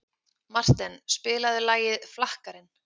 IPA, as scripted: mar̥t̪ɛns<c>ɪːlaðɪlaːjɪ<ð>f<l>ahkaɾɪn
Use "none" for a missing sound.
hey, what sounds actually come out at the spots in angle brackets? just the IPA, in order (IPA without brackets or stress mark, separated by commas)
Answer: p, ð, l